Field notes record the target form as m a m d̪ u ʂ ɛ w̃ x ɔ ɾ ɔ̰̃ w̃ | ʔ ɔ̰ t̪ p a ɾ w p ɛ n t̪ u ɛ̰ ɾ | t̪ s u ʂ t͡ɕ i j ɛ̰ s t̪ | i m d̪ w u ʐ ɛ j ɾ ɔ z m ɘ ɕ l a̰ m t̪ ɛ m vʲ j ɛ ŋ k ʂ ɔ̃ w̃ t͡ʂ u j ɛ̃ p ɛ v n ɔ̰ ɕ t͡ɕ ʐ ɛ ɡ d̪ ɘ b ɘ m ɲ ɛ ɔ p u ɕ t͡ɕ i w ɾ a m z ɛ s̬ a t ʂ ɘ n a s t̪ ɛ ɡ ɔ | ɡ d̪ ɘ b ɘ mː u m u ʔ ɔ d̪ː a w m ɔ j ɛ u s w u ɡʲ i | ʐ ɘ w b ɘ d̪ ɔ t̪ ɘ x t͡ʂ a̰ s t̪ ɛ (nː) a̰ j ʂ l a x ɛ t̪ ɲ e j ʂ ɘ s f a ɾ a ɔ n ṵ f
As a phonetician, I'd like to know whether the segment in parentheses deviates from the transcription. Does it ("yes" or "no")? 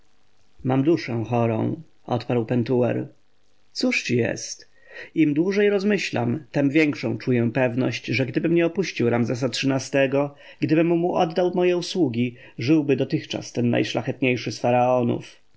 no